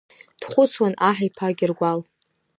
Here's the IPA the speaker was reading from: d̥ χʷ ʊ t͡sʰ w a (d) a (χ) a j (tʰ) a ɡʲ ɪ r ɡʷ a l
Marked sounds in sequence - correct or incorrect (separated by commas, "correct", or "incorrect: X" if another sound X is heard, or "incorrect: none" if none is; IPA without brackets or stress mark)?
incorrect: n, incorrect: ħ, incorrect: pʰ